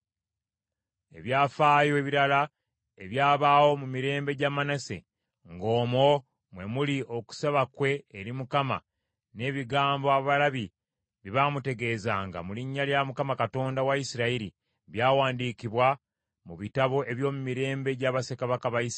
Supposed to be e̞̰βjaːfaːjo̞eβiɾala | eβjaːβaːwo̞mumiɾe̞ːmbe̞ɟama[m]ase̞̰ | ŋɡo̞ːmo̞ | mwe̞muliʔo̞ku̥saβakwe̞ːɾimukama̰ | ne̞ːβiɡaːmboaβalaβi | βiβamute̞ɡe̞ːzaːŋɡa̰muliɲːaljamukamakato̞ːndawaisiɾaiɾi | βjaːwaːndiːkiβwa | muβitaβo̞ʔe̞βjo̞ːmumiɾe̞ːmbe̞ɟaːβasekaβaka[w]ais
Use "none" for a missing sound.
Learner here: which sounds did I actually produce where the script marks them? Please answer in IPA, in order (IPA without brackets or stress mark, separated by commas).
n, β